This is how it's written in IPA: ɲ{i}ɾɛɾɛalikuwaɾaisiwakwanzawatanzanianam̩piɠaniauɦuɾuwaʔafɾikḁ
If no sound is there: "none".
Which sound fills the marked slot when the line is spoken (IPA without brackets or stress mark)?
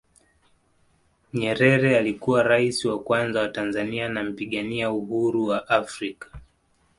ɛ